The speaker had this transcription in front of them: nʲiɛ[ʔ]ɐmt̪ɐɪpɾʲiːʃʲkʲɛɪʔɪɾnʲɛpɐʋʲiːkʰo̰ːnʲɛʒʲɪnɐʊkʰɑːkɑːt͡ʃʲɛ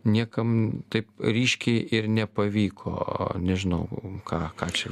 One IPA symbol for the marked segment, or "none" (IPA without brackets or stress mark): k